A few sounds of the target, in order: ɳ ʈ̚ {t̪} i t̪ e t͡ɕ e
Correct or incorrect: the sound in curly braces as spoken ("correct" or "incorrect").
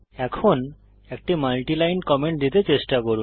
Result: incorrect